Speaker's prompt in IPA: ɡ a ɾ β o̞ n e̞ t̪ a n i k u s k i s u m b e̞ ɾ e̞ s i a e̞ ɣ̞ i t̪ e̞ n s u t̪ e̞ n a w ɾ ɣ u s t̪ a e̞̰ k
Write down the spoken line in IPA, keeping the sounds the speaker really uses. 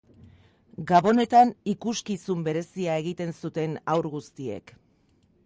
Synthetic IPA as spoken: ɡ a β o̞ n e̞ t̪ a n i k u s k i s u m b e̞ ɾ e̞ s i a e̞ ɣ̞ i t̪ e̞ n s u t̪ e̞ n a w ɾ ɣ u s t̪ i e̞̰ k